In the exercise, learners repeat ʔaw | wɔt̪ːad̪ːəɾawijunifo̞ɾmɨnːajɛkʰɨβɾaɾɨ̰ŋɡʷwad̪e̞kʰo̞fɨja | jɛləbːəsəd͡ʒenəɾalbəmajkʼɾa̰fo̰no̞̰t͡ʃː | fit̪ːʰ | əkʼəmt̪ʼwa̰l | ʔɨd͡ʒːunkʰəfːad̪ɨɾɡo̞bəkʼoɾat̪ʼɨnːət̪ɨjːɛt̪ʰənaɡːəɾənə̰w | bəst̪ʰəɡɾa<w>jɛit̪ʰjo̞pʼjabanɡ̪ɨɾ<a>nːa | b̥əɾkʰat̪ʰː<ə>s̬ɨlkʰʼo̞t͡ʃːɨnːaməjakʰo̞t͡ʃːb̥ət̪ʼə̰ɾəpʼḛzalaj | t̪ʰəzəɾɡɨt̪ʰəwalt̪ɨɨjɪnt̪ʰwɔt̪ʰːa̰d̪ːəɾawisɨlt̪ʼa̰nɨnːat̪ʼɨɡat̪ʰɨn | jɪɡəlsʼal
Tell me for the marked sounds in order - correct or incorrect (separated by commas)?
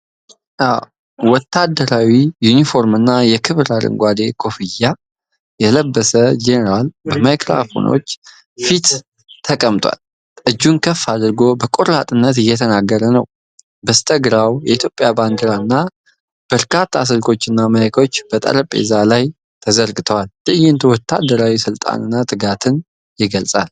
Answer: correct, correct, incorrect